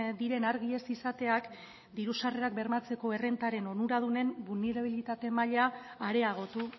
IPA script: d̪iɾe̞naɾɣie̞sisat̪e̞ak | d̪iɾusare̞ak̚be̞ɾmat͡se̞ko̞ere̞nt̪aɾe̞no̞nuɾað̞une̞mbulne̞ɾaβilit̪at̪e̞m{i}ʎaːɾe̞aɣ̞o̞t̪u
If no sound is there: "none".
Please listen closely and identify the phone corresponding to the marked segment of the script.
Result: a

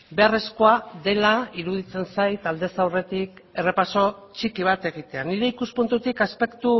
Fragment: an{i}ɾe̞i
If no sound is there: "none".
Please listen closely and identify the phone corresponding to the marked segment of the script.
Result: i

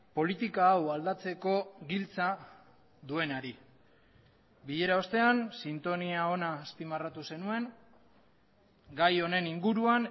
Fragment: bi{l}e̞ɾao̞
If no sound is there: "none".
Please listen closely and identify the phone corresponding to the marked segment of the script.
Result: ʎ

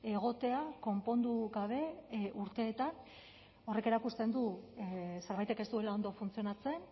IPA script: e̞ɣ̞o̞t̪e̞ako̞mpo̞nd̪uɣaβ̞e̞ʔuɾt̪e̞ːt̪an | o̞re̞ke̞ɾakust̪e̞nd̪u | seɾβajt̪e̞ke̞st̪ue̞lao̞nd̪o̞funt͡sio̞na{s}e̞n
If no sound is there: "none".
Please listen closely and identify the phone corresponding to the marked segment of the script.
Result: t͡s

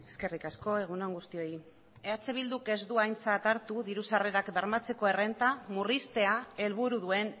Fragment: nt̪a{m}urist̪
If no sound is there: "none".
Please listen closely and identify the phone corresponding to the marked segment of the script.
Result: m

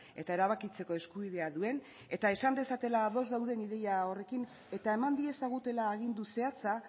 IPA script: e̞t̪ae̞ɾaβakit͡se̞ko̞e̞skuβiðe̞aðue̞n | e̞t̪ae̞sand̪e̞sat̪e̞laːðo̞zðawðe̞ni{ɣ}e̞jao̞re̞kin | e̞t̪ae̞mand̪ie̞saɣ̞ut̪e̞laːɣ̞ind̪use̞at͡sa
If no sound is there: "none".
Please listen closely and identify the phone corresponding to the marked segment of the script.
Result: ð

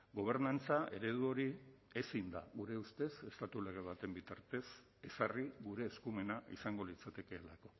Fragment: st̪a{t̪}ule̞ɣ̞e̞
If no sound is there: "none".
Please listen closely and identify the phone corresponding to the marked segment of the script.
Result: t̪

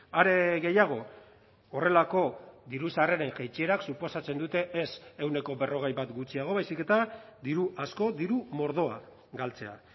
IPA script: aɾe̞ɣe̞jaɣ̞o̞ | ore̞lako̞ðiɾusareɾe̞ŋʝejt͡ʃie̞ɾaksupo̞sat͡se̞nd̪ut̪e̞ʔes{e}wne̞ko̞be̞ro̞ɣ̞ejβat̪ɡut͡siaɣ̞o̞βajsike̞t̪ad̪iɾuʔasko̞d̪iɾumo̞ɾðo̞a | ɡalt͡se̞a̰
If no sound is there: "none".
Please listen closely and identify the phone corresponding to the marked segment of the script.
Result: e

